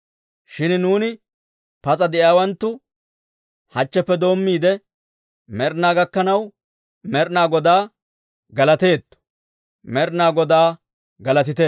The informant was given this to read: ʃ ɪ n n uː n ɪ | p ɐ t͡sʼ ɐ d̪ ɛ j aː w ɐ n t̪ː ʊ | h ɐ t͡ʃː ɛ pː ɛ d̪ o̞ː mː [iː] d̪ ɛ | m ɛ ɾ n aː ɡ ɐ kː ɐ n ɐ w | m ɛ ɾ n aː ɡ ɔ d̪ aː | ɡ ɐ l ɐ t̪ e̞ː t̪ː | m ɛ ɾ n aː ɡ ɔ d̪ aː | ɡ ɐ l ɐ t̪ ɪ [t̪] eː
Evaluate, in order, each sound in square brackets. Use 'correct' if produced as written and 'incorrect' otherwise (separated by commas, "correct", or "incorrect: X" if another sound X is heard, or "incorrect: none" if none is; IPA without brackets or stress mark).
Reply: correct, correct